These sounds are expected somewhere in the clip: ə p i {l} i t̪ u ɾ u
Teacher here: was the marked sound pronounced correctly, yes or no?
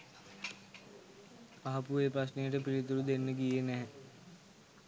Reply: no